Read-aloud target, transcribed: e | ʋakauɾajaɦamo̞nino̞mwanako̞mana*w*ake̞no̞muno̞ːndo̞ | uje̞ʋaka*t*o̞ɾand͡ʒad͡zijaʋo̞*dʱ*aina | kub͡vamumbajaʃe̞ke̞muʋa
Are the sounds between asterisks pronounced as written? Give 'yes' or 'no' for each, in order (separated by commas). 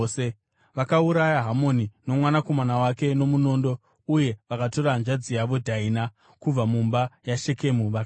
yes, yes, yes